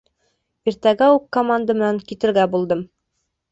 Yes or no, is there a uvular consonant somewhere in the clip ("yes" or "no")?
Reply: no